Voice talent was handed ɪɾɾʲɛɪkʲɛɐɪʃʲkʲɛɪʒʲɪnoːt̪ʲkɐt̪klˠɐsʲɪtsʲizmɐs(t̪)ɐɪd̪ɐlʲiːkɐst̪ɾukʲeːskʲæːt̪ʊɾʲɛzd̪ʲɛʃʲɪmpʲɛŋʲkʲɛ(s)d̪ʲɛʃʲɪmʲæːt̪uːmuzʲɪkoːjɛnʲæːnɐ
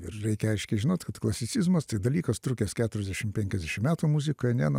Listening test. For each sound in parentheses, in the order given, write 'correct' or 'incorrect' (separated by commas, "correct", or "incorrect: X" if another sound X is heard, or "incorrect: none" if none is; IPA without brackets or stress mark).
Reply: correct, incorrect: z